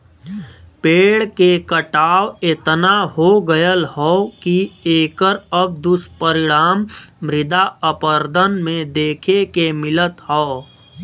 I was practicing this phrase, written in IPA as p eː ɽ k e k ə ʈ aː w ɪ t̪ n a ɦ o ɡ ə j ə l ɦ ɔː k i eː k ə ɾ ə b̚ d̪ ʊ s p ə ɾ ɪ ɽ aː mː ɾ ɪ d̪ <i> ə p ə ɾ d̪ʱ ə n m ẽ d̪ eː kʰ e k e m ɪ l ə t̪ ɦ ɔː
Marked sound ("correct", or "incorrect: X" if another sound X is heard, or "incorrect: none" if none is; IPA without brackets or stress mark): incorrect: a